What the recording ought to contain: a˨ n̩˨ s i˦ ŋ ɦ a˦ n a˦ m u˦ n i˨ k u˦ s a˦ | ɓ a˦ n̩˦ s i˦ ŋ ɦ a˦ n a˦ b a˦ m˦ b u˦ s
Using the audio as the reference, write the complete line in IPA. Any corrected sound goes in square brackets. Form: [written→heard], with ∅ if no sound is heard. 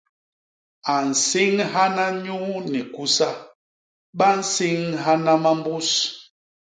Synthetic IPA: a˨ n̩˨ s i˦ ŋ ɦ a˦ n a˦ [m→ɲ] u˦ n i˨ k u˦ s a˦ | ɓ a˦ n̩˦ s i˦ ŋ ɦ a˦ n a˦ [b→m] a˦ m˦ b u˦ s